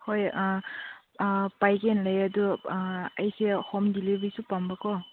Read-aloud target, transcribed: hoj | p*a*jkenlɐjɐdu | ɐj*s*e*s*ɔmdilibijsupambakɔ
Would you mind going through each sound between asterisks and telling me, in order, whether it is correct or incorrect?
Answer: correct, correct, incorrect: h

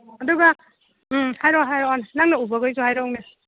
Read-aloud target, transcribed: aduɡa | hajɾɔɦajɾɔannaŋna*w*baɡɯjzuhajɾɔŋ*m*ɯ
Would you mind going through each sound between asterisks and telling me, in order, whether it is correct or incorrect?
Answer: incorrect: u, incorrect: n

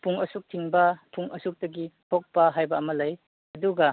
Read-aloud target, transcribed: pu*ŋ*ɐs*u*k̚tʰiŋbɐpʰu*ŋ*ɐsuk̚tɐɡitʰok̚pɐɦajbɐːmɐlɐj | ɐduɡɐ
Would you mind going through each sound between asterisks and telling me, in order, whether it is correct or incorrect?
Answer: correct, correct, correct

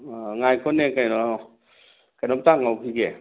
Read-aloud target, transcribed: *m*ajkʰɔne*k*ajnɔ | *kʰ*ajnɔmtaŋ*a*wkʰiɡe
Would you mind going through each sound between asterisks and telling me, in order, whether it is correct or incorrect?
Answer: incorrect: ŋ, correct, incorrect: k, correct

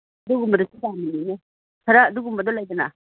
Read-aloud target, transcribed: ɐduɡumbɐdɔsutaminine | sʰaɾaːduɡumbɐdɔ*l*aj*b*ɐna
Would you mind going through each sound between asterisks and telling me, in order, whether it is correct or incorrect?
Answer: correct, incorrect: d

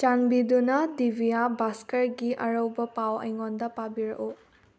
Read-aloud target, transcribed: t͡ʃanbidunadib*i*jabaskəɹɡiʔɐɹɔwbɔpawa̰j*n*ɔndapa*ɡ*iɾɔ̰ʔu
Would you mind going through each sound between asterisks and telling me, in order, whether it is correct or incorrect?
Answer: correct, incorrect: ŋ, incorrect: b

